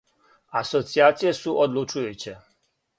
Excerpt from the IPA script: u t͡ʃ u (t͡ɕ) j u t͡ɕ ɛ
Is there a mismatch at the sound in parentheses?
yes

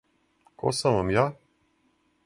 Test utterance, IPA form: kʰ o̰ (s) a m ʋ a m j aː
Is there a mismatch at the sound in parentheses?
no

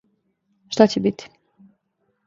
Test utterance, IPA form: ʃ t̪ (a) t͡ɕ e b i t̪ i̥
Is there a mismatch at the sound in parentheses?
no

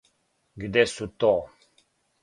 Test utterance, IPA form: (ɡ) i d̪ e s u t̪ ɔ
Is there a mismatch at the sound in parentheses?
no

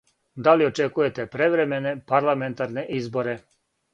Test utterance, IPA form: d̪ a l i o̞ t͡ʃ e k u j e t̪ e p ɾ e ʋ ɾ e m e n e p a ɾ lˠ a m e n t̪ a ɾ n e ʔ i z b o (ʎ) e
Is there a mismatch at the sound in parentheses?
yes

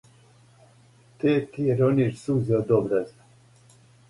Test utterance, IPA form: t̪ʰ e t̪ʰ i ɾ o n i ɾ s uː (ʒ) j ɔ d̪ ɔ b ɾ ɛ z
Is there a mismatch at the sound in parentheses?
yes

